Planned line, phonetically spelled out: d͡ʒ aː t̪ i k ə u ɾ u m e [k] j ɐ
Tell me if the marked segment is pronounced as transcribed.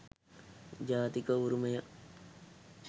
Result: no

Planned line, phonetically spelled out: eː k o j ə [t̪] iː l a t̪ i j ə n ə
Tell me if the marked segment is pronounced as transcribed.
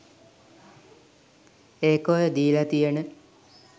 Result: no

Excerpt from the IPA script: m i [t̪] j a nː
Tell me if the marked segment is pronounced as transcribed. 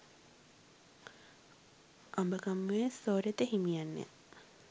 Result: no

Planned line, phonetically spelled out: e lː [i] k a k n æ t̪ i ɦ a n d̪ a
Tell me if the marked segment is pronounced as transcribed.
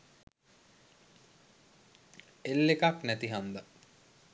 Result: no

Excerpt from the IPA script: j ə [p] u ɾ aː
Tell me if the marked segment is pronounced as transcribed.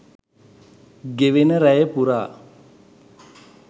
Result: yes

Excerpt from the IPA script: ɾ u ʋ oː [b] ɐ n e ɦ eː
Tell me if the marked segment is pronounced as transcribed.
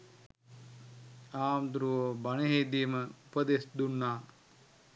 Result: yes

